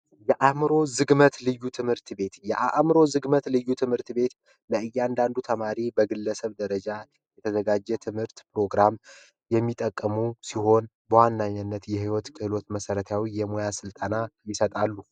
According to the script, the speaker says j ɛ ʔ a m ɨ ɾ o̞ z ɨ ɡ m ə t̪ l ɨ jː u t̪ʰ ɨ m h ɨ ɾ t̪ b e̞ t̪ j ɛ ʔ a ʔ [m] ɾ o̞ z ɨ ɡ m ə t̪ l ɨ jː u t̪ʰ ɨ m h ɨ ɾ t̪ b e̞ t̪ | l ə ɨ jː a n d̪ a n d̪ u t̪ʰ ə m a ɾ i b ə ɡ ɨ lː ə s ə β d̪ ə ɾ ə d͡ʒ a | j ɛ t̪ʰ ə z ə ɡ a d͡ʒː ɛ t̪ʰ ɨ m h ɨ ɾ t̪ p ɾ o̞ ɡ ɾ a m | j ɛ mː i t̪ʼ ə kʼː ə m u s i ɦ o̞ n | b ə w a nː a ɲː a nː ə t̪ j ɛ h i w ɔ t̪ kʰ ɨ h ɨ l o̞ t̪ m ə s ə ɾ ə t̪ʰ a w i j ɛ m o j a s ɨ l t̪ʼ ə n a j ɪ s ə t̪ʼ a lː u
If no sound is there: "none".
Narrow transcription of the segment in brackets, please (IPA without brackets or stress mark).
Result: m